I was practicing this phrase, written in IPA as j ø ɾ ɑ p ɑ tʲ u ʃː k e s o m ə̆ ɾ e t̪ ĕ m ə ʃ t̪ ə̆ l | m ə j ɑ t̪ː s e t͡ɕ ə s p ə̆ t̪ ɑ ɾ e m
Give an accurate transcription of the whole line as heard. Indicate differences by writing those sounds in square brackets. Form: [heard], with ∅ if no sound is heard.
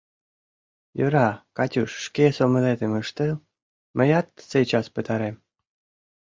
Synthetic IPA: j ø ɾ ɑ [k] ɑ tʲ u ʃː k e s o m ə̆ [l] e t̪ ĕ m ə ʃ t̪ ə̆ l | m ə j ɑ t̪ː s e t͡ɕ [ɑ] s p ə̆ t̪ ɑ ɾ e m